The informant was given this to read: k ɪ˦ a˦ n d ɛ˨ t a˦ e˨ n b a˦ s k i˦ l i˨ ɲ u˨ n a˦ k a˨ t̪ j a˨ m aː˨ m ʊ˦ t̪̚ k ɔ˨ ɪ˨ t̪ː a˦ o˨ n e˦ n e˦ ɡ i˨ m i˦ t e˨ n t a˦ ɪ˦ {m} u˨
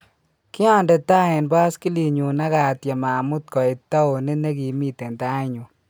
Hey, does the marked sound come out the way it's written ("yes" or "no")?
no